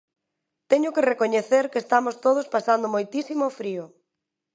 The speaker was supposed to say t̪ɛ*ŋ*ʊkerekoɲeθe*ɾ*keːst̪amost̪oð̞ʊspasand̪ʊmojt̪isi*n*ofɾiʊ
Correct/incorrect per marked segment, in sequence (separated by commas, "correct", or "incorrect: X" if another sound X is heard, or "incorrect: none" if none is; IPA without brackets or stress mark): incorrect: ɲ, correct, incorrect: m